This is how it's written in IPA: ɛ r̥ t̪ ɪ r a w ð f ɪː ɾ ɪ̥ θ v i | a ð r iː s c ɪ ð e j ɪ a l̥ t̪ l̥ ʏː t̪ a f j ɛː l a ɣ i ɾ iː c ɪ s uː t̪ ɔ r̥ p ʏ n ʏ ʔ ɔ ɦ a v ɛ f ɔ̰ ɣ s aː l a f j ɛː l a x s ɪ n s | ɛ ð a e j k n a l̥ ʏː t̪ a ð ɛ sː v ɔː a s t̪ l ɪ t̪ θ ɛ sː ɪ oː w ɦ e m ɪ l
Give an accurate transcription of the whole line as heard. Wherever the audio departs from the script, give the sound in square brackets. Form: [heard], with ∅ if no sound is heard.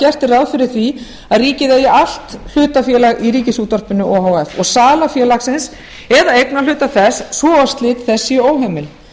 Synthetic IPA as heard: ɛ r̥ t̪ ɪ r a w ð f [ɪ] ɾ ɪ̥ θ v i | a ð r iː [∅] c ɪ ð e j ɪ a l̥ t̪ l̥ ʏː t̪ a f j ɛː l a ɣ i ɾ iː c ɪ s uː t̪ ɔ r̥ p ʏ n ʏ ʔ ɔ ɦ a [w] ɛ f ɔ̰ ɣ s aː l a f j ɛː l a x s ɪ n s | ɛ ð a e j k n a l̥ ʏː t̪ a [θ] ɛ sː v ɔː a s t̪ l ɪ t̪ θ ɛ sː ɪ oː w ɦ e m ɪ l